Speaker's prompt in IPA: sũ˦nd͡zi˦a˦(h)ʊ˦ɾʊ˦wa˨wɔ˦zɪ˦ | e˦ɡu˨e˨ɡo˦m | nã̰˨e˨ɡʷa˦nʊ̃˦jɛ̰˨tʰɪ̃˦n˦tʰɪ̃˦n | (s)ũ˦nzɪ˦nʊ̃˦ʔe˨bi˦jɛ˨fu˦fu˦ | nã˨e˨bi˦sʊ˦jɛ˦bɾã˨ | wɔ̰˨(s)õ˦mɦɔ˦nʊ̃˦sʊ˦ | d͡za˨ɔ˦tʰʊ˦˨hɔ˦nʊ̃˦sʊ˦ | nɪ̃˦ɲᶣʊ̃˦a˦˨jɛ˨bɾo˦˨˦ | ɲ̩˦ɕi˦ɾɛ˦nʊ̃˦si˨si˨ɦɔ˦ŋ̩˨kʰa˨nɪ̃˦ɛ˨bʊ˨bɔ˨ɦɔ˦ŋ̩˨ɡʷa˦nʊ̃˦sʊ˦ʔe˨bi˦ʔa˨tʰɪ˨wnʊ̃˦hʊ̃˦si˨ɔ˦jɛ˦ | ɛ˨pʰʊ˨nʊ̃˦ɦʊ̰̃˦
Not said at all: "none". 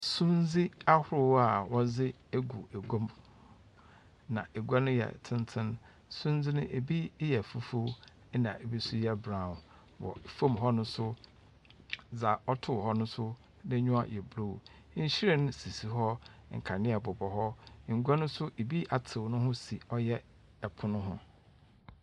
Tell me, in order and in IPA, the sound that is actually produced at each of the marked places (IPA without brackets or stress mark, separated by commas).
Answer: h, s, f